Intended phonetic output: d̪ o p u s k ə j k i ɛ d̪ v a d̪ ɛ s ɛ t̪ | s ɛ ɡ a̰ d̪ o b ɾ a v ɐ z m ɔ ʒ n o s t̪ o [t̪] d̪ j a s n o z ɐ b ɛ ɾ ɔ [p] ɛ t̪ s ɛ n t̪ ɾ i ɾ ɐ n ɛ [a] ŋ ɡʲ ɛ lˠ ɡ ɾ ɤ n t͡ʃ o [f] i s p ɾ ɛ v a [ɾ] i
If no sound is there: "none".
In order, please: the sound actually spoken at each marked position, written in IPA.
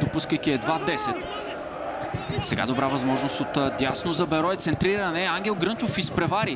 t̪, none, a, f, ɾ

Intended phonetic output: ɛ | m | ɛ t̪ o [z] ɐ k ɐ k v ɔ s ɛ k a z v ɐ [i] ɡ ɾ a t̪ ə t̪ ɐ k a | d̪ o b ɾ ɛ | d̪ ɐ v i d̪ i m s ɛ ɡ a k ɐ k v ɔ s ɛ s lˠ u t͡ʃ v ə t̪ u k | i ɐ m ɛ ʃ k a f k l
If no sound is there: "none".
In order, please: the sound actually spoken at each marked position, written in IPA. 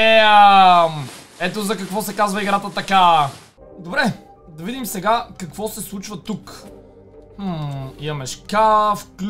z, i

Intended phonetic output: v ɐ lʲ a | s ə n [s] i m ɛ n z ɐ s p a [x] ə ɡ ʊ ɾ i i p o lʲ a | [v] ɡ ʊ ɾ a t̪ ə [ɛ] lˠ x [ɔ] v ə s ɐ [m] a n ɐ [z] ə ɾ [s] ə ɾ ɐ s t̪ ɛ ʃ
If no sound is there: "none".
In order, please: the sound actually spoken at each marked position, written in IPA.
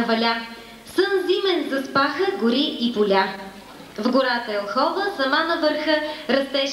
z, x, v, ɛ, ɔ, m, v, x

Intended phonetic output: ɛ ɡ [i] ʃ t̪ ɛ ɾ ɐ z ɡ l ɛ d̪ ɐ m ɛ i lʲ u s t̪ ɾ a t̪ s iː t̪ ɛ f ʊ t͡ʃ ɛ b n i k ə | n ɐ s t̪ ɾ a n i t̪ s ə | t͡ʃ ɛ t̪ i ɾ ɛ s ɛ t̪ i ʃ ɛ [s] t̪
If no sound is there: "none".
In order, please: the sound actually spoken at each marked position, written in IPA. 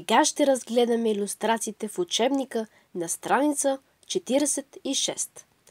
a, s

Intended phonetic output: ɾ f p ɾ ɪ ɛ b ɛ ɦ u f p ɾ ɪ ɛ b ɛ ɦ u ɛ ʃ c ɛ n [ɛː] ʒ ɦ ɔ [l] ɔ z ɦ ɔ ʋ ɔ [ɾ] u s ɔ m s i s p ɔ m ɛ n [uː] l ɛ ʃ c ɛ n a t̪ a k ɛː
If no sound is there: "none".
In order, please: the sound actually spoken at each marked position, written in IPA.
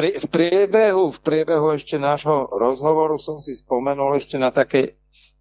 aː, ɾ, ɾ, u

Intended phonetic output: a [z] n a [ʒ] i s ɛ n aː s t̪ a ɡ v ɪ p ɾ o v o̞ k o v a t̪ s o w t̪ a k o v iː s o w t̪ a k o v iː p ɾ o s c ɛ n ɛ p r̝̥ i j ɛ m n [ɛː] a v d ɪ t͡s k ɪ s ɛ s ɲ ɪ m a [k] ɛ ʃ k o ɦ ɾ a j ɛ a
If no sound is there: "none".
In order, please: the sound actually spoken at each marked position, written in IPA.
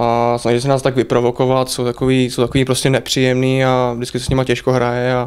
s, ʒ, iː, c

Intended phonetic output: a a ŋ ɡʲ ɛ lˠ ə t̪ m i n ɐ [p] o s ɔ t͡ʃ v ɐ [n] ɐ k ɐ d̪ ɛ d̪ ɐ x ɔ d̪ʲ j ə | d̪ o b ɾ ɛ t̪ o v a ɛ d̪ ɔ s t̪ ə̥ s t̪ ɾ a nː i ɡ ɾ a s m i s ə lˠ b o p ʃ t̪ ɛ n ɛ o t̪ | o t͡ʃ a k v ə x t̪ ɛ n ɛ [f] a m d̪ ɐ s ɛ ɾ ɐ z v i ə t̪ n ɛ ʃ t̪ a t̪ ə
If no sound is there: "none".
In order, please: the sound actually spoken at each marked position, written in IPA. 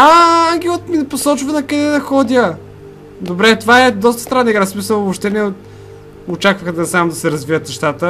p, n, s

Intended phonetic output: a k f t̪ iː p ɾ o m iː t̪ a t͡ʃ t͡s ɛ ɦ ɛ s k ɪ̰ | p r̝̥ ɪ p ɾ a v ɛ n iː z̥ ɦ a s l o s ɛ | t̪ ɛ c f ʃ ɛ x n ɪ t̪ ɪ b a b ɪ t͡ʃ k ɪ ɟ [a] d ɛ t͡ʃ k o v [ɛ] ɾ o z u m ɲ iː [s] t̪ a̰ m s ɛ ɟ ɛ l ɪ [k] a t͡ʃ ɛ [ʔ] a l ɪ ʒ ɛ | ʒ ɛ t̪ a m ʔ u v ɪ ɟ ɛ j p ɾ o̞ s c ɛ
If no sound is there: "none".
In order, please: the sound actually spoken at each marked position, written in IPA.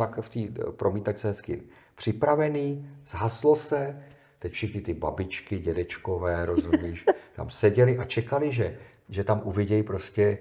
ɛ, ɛː, ʃ, ʔ, k

